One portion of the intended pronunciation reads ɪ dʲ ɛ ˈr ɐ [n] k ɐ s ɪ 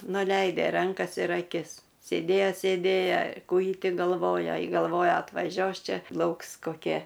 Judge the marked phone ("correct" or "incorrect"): incorrect